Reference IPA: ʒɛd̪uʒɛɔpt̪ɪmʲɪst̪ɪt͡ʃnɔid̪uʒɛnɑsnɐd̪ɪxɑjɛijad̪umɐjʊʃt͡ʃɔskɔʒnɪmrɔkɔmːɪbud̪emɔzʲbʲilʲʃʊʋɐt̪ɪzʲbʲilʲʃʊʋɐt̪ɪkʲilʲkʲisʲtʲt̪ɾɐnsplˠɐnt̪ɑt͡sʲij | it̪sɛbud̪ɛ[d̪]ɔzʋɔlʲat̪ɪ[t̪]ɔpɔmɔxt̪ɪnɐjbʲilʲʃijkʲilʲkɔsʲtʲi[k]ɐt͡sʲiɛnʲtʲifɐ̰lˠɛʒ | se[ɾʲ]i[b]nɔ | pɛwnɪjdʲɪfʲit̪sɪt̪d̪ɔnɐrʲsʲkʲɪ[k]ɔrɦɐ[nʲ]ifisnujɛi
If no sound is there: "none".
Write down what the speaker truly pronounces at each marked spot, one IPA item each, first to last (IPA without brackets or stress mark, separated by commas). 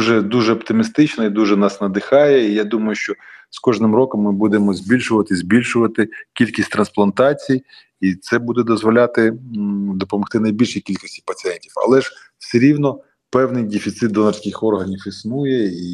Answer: d̪, d̪, p, ɾʲ, w, x, nʲ